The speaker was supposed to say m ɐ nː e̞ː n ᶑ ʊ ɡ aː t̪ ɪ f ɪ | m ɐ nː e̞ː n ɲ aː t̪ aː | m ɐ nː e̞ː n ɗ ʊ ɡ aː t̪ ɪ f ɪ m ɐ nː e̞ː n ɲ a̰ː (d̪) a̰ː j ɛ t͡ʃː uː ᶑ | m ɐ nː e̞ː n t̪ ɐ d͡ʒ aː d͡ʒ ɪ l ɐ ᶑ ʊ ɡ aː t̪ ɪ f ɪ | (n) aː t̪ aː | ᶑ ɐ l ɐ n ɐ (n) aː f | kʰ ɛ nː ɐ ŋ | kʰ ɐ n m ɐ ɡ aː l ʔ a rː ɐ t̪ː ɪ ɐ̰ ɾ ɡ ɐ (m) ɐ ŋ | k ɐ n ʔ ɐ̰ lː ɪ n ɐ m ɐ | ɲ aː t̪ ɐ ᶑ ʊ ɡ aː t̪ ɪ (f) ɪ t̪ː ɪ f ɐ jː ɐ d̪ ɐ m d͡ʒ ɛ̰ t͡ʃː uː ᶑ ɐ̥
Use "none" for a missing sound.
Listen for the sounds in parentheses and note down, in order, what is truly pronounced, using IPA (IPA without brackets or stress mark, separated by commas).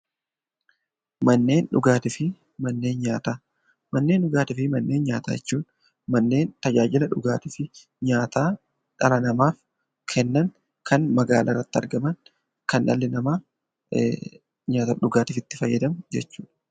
t̪, ɲ, m, m, f